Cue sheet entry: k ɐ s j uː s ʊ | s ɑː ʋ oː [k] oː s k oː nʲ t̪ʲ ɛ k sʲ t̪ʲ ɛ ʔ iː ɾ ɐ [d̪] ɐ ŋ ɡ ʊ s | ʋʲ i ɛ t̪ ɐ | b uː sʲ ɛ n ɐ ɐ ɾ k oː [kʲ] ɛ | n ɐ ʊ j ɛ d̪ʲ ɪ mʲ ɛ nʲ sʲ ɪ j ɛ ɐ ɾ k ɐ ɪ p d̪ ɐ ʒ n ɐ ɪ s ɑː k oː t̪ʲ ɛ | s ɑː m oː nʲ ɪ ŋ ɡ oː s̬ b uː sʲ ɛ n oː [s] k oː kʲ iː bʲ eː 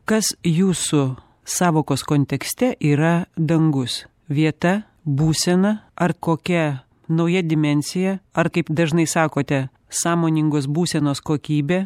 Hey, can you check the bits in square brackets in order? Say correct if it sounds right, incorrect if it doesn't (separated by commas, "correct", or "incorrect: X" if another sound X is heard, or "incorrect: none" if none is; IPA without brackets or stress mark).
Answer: correct, correct, correct, correct